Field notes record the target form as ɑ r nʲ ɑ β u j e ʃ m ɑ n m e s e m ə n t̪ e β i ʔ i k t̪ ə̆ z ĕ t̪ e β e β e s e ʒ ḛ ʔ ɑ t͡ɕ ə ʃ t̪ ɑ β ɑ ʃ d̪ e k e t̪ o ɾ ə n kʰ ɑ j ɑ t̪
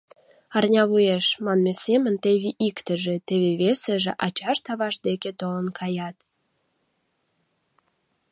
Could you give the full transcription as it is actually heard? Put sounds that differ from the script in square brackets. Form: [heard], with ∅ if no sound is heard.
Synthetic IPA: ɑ r nʲ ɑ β u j e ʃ m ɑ n m e s e m ə n t̪ e β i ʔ i k t̪ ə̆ [ʒ] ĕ t̪ e β e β e s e ʒ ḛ ʔ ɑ t͡ɕ [ɑ] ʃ t̪ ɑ β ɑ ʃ d̪ e k e t̪ o [l] ə n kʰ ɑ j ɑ t̪